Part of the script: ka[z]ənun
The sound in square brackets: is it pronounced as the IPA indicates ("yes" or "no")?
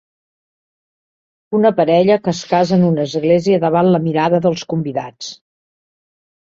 yes